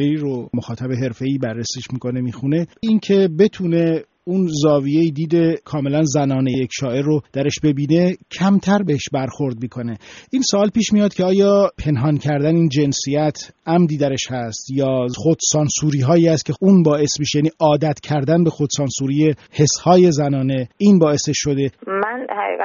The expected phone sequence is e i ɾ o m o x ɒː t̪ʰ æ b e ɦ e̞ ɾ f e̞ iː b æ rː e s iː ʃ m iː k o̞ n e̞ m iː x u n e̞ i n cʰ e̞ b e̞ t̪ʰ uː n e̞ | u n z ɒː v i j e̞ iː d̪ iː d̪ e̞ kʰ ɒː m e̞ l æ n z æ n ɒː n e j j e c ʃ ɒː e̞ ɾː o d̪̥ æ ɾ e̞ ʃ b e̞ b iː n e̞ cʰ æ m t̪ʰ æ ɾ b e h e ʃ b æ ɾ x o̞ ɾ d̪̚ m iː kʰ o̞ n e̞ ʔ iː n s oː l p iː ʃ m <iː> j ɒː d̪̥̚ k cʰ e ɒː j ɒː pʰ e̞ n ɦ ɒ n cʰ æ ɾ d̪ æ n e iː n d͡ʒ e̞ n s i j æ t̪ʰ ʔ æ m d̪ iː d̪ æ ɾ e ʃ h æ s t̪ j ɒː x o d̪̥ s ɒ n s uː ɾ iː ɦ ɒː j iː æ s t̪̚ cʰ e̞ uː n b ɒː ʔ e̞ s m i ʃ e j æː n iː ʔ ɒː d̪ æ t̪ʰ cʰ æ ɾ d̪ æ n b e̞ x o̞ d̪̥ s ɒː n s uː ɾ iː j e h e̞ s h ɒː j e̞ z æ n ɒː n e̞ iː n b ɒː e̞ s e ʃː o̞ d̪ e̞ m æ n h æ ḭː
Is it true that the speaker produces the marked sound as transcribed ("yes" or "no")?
no